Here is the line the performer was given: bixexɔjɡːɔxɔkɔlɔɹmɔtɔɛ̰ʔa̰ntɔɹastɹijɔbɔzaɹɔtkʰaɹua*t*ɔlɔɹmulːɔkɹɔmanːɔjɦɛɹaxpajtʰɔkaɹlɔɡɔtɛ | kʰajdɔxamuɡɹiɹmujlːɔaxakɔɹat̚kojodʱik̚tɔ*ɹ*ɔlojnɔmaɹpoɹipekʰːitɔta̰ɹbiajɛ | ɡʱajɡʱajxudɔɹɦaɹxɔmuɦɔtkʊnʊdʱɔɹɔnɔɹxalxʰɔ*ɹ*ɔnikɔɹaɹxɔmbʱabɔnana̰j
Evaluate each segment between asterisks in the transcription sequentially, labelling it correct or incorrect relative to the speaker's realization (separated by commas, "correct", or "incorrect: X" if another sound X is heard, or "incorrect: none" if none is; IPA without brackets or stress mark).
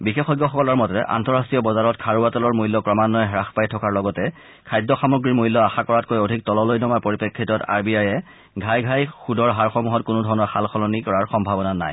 correct, incorrect: l, incorrect: l